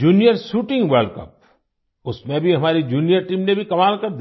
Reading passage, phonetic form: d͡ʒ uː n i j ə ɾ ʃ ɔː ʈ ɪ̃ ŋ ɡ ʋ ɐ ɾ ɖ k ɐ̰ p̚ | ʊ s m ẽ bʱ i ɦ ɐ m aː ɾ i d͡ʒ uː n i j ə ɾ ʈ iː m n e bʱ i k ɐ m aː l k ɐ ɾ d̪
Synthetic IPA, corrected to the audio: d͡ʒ uː n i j ə ɾ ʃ uː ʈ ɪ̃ ŋ ɡ ʋ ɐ ɾ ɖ k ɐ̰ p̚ | ʊ s m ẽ bʱ i ɦ ɐ m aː ɾ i d͡ʒ uː n i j ə ɾ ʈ iː m n e bʱ i k ɐ m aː l k ɐ ɾ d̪